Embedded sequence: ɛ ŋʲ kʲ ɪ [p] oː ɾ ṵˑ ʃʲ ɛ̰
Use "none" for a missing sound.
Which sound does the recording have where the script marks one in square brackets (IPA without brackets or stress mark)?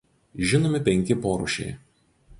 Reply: p